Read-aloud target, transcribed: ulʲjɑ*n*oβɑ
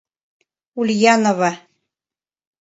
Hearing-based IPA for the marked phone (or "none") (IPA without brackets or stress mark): n